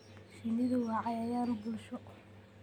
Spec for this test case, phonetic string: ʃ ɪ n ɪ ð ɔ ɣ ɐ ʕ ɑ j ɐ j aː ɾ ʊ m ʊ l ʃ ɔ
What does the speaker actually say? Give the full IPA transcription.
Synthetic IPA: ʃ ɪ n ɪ ð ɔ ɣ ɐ ʕ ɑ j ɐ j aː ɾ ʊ b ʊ l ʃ ɔ